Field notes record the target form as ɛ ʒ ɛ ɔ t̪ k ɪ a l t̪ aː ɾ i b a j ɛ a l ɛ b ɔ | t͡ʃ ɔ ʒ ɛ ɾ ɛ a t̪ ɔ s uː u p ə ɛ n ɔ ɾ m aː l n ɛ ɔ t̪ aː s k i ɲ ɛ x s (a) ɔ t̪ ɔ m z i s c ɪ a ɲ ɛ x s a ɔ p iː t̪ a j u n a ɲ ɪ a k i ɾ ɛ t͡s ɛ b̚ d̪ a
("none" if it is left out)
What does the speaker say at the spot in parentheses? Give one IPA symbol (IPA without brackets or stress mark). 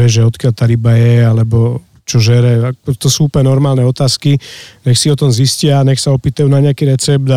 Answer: i